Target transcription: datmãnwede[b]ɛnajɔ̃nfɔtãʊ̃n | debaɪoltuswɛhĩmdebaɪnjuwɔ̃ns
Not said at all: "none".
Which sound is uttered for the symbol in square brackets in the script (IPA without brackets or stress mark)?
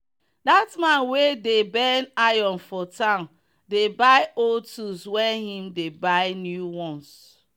b